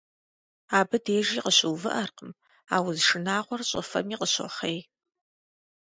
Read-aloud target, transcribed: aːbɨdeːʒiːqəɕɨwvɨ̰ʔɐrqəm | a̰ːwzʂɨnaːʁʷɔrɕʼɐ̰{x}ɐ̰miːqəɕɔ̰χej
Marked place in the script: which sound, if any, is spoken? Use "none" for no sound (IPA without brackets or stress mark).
f